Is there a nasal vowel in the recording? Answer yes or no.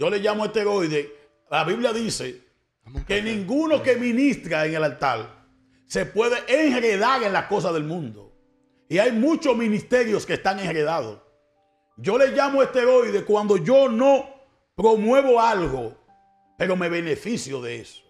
yes